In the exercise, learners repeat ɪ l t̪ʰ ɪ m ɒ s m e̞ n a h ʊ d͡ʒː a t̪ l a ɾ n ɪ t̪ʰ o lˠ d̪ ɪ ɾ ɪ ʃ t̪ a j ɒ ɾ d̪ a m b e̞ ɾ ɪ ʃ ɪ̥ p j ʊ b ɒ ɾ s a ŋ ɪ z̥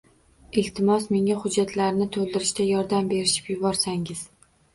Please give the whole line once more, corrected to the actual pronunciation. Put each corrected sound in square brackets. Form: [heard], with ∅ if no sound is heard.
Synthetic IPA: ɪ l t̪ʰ ɪ m ɒ s m e̞ [ŋ] a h ʊ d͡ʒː a t̪ l a ɾ n ɪ t̪ʰ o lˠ d̪ ɪ ɾ ɪ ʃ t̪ a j ɒ ɾ d̪ a m b e̞ ɾ ɪ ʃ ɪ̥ p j ʊ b ɒ ɾ s a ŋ ɪ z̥

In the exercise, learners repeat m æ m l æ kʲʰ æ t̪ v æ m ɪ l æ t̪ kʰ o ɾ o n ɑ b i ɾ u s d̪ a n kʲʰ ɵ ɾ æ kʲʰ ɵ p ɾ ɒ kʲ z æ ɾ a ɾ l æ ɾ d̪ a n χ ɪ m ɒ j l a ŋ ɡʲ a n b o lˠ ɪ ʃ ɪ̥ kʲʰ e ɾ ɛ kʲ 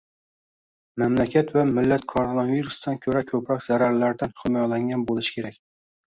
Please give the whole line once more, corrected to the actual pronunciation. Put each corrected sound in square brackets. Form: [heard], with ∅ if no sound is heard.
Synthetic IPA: m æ m l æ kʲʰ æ t̪ v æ m ɪ [lː] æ t̪ kʰ o ɾ o n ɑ [v] i ɾ u s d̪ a n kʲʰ ɵ ɾ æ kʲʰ ɵ p ɾ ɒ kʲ z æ ɾ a ɾ l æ ɾ d̪ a n χ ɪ m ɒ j l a ŋ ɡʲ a n b o lˠ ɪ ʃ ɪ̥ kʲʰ e ɾ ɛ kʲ

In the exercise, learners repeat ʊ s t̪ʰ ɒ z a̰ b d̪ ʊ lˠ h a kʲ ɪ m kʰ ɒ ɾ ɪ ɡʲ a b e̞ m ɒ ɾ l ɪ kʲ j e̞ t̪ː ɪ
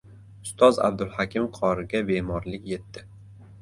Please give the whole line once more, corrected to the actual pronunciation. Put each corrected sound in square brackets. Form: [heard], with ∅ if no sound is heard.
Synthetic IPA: ʊ s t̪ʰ ɒ z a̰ b d̪ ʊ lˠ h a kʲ ɪ m [qʰ] ɒ ɾ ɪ ɡʲ a b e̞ m ɒ ɾ l ɪ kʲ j e̞ t̪ː ɪ

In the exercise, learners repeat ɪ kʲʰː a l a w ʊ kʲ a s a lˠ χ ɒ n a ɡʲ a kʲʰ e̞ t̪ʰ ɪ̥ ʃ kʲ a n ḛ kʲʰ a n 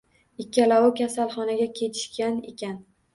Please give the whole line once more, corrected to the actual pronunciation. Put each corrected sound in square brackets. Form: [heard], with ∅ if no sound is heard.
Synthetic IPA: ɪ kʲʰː a l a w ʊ kʲ a s a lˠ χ ɒ n a ɡʲ a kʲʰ e̞ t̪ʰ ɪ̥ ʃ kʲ a n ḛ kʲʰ a n

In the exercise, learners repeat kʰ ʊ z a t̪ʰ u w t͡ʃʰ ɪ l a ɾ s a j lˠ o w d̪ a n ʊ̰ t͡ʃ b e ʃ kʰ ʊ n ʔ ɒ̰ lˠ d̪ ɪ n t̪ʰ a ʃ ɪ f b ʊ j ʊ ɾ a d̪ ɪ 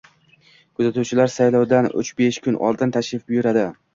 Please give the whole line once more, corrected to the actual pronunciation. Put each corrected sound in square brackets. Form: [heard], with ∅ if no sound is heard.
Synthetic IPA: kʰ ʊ z a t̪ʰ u w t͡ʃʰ ɪ l a ɾ s a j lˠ [ɒ] w d̪ a n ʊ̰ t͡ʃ b e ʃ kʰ ʊ n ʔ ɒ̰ lˠ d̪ ɪ n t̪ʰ a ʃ ɪ f b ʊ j ʊ ɾ a d̪ ɪ

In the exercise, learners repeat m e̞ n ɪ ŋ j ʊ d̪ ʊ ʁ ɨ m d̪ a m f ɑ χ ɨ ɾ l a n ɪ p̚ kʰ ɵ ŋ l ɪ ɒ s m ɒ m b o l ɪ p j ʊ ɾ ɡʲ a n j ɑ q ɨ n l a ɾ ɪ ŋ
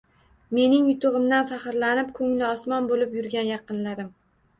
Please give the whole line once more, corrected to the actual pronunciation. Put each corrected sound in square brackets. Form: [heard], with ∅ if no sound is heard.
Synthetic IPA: m e̞ n ɪ ŋ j ʊ [t̪] ʊ ʁ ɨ m d̪ a [n] f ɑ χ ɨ ɾ l a n ɪ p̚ kʰ ɵ ŋ l ɪ ɒ s m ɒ [n] b o l ɪ p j ʊ ɾ ɡʲ a n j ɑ q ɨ n l a ɾ ɪ [m]

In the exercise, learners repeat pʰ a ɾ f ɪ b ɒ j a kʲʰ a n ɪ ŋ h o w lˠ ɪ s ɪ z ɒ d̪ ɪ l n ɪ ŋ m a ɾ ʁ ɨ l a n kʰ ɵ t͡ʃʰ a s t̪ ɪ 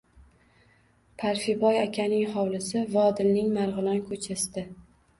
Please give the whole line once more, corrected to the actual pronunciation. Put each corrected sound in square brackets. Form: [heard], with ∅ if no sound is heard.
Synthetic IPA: pʰ a ɾ f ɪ b ɒ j a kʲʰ a n ɪ ŋ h [ɒ] w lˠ ɪ s ɪ [v] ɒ d̪ ɪ l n ɪ ŋ m a ɾ ʁ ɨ l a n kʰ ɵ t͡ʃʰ a s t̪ ɪ

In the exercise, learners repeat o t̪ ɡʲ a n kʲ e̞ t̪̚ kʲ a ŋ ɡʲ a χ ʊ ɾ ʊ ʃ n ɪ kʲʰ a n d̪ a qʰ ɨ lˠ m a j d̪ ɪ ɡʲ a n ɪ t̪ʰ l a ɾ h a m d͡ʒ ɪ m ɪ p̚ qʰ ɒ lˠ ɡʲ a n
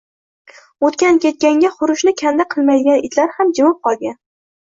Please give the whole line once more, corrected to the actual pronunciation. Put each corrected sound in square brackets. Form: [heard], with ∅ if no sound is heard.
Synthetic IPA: o t̪ [kʲ] a n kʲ e̞ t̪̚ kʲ a ŋ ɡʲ a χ ʊ ɾ ʊ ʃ n ɪ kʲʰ a n d̪ a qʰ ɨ lˠ m a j d̪ ɪ ɡʲ a n ɪ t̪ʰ l a ɾ h a m d͡ʒ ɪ m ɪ p̚ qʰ ɒ lˠ ɡʲ a n

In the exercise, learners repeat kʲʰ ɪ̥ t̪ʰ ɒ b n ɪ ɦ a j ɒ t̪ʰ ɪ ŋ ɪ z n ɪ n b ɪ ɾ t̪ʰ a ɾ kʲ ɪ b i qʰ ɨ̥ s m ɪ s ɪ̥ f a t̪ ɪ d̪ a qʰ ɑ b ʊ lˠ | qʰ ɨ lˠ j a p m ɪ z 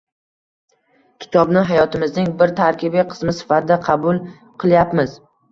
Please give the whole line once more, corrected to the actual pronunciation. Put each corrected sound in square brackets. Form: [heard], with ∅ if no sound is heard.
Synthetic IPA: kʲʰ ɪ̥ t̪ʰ ɒ b n ɪ ɦ a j ɒ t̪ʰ ɪ [m] ɪ z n ɪ [ŋ] b ɪ ɾ t̪ʰ a ɾ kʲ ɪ b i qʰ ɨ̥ s m ɪ s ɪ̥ f a t̪ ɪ d̪ a qʰ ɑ b ʊ lˠ | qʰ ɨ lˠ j a p m ɪ z

